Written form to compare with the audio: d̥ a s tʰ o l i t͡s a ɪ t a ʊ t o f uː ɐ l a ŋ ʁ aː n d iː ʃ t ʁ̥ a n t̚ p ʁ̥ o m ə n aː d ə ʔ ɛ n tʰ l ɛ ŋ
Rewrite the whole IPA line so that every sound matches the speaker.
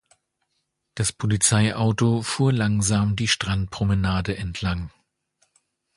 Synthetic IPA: d̥ a s pʰ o l i t͡s a ɪ ʔ a ʊ t o f uː ɐ l a ŋ z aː m d iː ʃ t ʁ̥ a n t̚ p ʁ̥ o m ə n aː d ə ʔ ɛ n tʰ l a ŋ